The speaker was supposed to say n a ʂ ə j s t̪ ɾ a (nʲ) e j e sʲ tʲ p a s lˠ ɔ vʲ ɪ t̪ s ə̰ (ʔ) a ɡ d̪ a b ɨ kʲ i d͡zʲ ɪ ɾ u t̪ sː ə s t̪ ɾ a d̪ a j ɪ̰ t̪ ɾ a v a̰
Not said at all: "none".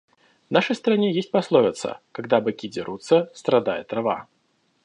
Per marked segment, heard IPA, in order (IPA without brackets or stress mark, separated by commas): nʲ, k